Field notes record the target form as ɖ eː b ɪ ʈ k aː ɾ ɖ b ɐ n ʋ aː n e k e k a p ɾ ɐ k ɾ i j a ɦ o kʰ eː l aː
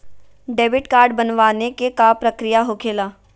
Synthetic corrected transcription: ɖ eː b ɪ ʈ k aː ɾ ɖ b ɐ n ʋ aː n e k e k a p ɾ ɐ k ɾ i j a ɦ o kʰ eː l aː